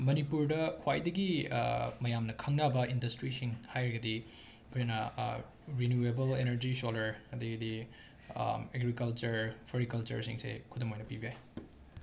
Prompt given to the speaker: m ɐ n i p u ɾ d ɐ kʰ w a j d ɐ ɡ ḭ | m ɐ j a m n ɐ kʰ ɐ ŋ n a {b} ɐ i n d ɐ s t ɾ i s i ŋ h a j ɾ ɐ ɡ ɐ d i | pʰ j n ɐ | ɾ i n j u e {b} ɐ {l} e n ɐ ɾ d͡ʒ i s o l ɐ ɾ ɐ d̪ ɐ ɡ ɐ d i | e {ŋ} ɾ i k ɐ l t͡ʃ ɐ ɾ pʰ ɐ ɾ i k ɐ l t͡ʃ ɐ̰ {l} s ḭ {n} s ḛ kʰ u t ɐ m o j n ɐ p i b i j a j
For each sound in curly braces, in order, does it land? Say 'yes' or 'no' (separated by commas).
yes, yes, yes, no, no, no